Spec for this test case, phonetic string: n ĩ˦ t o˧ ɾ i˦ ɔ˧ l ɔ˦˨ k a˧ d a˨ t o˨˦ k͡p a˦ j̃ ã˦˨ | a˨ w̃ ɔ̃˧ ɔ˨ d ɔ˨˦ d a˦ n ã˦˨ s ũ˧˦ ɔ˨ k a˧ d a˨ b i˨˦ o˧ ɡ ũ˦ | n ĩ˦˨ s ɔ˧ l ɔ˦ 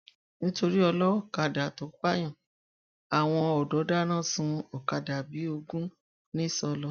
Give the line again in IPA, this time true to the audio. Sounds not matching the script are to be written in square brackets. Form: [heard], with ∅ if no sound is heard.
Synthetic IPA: n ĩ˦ t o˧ ɾ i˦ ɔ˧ l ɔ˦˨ k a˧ d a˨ t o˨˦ k͡p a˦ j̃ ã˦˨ | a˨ w̃ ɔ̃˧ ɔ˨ d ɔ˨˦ d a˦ n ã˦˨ s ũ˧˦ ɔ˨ k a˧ d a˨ b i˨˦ o˧ ɡ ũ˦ | n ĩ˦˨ s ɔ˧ l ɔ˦